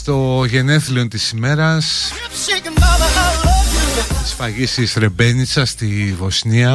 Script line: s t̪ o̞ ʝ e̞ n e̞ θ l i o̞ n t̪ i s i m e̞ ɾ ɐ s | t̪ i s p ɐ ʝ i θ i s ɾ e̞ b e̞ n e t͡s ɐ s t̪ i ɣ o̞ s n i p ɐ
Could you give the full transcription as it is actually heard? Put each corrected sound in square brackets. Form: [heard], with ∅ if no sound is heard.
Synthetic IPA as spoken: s t̪ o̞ ʝ e̞ n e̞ θ l i o̞ n t̪ i s i m e̞ ɾ ɐ s | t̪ i s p ɐ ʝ i [s] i s ɾ e̞ b e̞ n [i] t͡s ɐ s t̪ i [v] o̞ s n i [∅] ɐ